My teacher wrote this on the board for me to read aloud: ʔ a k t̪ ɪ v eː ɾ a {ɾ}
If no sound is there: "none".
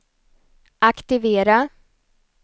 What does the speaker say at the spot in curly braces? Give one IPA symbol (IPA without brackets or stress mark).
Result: none